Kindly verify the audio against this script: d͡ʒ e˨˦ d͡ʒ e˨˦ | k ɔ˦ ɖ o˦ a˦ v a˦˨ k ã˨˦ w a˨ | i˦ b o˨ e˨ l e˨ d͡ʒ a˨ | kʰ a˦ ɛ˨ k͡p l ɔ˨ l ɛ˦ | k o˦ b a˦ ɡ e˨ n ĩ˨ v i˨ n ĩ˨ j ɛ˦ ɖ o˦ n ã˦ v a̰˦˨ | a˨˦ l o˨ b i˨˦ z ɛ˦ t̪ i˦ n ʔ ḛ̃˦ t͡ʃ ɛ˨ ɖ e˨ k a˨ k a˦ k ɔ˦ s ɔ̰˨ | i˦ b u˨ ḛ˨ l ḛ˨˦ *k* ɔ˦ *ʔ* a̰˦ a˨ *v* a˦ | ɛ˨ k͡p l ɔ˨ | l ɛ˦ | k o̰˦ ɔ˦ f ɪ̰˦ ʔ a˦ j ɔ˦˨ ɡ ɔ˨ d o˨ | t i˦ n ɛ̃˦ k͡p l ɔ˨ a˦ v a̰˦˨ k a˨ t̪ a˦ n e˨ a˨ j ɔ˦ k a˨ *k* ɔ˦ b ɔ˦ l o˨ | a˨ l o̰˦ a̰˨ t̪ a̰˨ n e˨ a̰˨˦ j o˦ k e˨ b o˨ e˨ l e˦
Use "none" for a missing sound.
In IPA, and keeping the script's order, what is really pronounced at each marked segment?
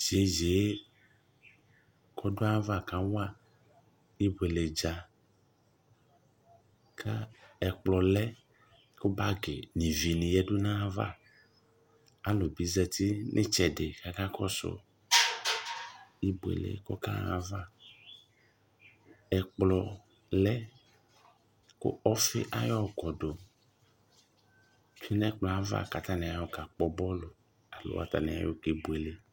k, k, v, k͡p

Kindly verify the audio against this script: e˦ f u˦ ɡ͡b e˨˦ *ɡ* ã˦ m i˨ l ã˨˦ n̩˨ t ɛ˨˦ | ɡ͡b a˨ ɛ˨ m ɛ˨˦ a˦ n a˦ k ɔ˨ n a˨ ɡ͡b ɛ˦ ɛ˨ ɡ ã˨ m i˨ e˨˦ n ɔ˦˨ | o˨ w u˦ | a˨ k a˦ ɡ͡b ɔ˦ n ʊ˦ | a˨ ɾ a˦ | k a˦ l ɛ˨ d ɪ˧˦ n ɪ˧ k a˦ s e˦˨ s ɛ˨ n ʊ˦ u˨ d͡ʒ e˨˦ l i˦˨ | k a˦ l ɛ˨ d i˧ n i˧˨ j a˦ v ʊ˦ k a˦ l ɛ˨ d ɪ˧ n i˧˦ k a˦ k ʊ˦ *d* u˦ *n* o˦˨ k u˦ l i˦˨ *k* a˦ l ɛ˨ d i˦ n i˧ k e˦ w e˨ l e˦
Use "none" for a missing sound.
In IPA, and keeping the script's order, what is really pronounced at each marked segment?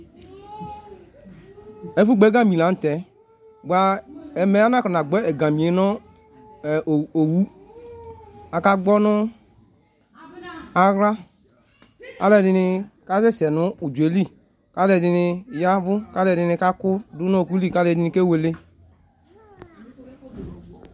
ɡ, d, n, k

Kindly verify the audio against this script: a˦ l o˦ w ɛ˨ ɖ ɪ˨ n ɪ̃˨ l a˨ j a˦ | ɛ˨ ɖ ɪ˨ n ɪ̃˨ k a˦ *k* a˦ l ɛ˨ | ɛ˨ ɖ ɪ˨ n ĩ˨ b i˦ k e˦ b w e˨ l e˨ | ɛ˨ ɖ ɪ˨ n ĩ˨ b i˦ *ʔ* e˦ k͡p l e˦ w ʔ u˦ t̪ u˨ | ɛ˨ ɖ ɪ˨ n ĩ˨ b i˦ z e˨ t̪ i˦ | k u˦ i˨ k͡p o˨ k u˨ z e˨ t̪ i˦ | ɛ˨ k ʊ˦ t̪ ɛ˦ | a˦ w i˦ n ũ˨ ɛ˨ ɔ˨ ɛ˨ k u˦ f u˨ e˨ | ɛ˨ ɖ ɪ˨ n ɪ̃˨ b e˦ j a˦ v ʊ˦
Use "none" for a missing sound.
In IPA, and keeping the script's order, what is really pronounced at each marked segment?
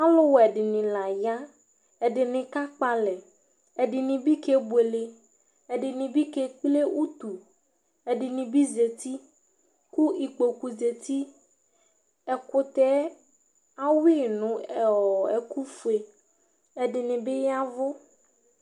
k͡p, k

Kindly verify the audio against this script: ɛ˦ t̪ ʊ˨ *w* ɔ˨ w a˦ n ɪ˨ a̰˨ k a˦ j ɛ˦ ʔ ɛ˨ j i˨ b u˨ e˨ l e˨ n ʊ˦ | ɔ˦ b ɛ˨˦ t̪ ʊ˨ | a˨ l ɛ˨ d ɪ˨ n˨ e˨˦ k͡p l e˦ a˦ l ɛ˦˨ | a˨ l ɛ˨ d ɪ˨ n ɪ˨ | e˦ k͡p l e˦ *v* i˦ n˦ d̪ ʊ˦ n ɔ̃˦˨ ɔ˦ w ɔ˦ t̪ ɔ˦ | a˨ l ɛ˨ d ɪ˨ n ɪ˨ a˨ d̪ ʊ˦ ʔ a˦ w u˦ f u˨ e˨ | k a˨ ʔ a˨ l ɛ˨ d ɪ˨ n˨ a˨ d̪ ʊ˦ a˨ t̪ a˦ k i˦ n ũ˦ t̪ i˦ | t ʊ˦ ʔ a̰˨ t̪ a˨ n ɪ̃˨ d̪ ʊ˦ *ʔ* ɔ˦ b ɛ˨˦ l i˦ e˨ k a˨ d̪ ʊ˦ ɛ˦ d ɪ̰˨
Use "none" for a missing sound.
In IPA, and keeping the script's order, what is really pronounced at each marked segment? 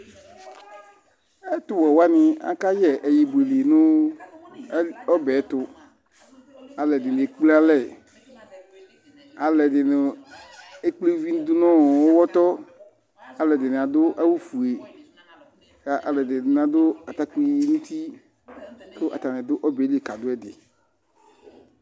w, v, ʔ

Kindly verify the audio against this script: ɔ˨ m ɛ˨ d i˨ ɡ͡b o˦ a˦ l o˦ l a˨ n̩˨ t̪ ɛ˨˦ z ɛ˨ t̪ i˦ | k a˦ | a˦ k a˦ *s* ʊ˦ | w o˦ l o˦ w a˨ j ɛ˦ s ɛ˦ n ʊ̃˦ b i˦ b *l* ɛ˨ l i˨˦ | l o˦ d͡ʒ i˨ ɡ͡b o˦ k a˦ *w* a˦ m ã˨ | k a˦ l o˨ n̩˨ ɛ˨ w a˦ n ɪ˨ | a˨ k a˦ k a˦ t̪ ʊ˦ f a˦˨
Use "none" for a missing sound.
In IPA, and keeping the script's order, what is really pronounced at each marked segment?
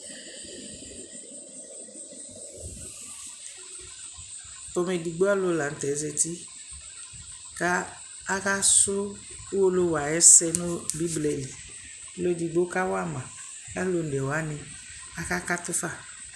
s, l, w

